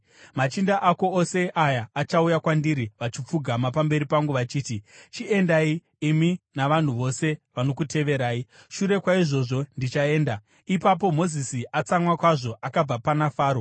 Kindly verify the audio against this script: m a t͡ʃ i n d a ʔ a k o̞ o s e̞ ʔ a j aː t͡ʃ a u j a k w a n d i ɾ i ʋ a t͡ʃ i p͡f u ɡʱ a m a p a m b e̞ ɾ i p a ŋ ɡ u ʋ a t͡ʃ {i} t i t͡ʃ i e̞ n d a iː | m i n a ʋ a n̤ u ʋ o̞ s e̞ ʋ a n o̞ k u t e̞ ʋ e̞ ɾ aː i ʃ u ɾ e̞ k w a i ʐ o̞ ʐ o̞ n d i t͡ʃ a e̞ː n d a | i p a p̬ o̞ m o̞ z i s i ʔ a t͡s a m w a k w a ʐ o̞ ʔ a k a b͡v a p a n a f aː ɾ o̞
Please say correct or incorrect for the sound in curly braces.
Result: incorrect